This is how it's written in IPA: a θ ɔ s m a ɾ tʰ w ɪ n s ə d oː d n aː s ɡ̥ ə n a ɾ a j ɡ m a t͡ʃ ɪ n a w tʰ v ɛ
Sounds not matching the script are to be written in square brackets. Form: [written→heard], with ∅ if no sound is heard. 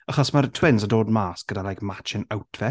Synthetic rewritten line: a [θ→χ] ɔ s m a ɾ tʰ w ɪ n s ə d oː d [n→m] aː s ɡ̥ ə [n→d] a [ɾ→l] a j [ɡ→k] m a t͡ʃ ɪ n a w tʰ v ɛ